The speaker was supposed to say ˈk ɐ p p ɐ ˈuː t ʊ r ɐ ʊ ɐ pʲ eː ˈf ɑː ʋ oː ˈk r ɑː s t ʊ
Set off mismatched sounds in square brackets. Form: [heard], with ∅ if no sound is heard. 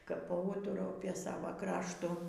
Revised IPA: ˈk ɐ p p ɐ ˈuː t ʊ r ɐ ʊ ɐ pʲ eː [ˈs] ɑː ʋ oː ˈk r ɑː [ʃ] t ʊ